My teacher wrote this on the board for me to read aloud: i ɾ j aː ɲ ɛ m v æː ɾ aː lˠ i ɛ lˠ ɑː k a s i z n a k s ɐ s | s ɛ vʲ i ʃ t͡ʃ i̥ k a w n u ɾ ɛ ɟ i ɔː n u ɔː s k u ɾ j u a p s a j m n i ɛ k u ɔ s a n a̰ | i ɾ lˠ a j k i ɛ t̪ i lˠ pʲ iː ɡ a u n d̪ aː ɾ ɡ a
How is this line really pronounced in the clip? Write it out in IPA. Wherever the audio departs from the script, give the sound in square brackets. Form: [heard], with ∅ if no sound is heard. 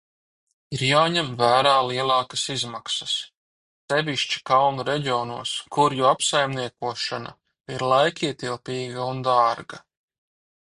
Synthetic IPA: i ɾ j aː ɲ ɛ m v æː ɾ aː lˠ i ɛ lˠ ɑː k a s i z [m] a k s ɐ s | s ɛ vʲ i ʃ t͡ʃ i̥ k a w n u ɾ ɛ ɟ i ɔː n u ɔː s k u ɾ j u a p s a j m n i ɛ k u ɔ [ʃ] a n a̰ | i ɾ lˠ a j k i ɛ t̪ i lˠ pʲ iː ɡ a u n d̪ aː ɾ ɡ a